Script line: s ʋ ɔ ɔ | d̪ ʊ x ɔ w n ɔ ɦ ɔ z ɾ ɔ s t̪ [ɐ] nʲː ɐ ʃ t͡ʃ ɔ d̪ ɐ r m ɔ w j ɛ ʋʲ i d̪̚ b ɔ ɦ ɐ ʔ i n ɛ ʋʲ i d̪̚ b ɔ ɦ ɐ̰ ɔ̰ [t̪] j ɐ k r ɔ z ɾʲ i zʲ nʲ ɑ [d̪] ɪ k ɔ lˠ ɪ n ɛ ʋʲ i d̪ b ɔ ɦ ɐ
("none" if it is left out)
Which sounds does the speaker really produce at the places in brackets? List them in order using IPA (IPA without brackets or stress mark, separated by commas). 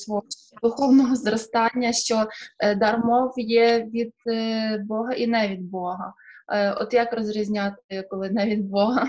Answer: ɑ, t̪, t̪